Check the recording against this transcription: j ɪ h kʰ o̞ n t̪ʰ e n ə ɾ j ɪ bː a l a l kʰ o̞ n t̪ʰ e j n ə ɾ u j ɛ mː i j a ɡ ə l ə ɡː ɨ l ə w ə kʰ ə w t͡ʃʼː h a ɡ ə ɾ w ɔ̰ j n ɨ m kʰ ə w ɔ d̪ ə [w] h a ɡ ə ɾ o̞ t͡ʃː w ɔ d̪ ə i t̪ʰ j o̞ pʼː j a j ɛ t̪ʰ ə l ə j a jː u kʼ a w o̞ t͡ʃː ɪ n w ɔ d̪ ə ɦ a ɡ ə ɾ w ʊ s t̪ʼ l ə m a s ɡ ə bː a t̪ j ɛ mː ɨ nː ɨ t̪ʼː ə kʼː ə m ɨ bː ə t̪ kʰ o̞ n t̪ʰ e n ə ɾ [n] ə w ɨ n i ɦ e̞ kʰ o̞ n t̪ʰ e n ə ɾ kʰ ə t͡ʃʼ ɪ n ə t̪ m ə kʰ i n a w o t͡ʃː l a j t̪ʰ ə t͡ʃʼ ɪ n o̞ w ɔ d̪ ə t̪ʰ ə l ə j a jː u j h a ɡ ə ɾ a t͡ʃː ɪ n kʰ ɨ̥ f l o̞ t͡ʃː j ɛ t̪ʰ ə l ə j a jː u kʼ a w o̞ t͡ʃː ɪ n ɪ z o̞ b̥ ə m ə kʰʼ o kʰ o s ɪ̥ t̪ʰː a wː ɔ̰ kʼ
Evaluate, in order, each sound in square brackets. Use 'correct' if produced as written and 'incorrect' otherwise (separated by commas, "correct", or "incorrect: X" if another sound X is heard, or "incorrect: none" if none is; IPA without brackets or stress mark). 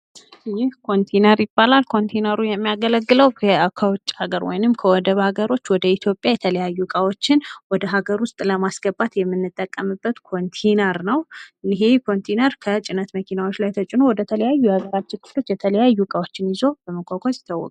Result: incorrect: β, correct